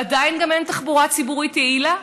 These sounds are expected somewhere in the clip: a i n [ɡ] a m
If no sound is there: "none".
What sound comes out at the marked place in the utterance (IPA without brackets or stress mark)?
ɡ